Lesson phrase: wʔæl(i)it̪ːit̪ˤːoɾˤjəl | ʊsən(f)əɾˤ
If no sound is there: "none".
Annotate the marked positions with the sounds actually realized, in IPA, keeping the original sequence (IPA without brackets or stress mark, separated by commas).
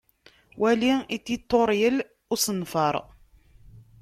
i, f